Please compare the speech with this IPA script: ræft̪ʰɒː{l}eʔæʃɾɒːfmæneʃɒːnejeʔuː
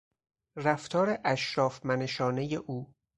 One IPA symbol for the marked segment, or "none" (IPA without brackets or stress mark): ɾ